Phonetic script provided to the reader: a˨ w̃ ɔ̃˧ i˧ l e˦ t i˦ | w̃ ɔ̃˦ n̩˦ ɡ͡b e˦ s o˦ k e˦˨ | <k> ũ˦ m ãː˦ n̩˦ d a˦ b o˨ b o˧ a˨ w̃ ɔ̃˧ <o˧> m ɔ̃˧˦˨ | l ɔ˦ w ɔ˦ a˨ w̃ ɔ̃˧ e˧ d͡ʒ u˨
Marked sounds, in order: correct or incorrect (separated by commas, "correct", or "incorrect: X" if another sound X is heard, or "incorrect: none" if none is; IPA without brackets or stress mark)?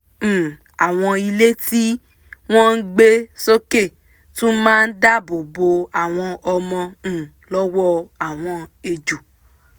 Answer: incorrect: t, incorrect: ɔ˧